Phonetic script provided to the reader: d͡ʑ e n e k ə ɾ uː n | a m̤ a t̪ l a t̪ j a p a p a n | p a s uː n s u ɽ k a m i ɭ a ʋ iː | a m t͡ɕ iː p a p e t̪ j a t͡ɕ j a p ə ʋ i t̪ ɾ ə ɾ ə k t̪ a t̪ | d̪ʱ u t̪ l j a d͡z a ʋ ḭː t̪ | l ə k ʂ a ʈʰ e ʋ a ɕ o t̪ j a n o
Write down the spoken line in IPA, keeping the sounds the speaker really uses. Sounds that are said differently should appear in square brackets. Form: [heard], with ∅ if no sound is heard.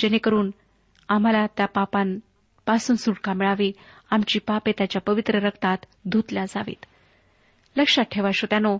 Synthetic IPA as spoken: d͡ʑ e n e k ə ɾ uː n | a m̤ a [∅] l a t̪ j a p a p a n | p a s uː n s u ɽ k a m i ɭ a ʋ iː | a m t͡ɕ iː p a p e t̪ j a t͡ɕ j a p ə ʋ i t̪ ɾ ə ɾ ə k t̪ a t̪ | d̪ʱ u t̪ l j a d͡z a ʋ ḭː t̪ | l ə k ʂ a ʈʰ e ʋ a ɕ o t̪ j a n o